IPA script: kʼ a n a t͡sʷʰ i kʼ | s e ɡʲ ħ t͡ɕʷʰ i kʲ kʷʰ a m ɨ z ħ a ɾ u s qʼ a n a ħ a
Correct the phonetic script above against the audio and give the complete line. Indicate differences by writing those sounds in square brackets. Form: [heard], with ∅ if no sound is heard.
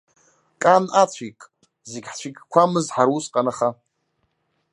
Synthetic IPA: kʼ a n a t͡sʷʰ i kʼ | [z] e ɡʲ ħ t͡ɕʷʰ i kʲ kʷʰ a m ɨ z ħ a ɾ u s qʼ a n a [χ] a